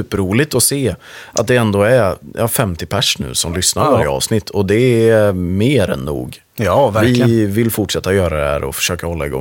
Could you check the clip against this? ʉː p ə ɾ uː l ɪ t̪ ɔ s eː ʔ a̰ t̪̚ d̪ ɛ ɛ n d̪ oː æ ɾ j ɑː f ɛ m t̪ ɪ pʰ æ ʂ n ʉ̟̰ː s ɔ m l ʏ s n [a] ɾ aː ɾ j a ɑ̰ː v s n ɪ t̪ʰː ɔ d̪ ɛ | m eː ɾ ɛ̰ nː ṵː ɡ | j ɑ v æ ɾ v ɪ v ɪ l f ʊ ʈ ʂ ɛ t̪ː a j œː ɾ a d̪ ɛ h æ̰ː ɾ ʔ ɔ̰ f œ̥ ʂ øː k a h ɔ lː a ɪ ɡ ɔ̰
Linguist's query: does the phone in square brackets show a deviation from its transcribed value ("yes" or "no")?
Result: no